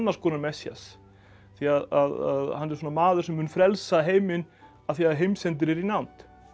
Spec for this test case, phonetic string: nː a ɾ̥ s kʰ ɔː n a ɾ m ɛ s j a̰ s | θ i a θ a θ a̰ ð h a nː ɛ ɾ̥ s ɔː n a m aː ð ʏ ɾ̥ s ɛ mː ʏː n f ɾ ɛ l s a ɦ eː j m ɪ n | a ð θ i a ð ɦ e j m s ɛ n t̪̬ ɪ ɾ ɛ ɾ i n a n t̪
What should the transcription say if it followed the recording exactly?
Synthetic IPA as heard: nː a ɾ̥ s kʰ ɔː n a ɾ m ɛ s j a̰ s | θ i a ð a ð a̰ ð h a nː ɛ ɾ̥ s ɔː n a m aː ð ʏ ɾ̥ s ɛ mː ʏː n f ɾ ɛ l s a ɦ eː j m ɪ n | a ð θ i a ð ɦ e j m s ɛ n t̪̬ ɪ ɾ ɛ ɾ i n a n t̪